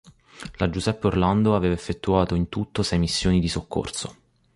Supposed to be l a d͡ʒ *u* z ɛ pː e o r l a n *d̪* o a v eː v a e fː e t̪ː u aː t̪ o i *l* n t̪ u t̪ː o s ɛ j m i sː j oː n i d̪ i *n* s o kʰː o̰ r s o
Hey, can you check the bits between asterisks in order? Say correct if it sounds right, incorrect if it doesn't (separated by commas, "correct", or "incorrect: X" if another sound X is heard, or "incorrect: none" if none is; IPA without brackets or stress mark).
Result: correct, correct, incorrect: none, incorrect: none